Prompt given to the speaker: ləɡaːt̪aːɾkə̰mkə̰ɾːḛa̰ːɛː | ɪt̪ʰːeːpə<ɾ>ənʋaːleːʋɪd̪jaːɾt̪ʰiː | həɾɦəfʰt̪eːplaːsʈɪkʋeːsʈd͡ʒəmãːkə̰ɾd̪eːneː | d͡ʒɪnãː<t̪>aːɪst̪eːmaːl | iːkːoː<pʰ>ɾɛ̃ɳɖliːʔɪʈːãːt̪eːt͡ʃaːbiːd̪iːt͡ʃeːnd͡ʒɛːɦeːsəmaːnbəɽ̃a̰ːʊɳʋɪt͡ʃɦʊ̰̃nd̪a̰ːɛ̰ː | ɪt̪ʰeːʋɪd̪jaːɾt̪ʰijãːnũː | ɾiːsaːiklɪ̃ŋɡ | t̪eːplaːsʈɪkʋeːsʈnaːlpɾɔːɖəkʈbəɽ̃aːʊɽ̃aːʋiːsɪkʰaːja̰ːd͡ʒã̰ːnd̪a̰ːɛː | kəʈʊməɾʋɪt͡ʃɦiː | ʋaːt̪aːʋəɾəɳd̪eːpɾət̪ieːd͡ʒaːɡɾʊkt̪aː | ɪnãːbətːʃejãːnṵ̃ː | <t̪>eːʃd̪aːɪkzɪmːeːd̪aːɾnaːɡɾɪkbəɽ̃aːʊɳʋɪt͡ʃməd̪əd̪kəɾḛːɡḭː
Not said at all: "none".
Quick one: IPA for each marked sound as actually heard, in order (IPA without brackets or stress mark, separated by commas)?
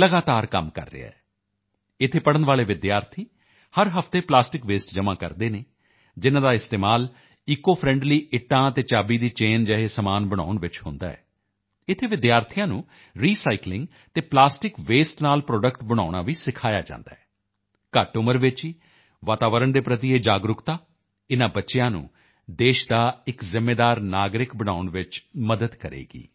ɽ, d̪, pʰ, d̪